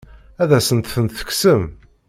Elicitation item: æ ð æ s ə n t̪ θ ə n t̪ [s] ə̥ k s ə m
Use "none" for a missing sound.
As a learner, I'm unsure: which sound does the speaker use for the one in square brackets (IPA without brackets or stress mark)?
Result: θ